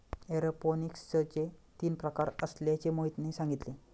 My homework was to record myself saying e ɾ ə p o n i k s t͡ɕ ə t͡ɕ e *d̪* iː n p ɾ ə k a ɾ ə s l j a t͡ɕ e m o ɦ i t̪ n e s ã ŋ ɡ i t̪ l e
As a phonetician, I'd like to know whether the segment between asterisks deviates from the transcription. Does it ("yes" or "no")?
yes